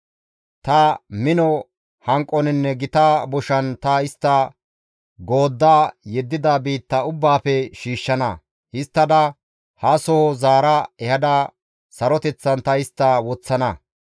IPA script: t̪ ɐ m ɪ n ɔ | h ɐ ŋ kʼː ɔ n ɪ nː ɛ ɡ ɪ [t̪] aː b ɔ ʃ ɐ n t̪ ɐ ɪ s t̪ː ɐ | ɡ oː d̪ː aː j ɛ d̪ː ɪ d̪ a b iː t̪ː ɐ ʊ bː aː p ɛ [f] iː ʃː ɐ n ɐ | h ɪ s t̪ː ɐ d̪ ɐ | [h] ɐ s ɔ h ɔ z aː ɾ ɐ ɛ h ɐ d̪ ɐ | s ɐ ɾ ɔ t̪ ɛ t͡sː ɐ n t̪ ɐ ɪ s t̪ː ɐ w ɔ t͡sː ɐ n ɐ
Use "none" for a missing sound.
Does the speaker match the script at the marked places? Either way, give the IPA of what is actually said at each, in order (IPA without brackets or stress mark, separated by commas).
t̪, ʃ, h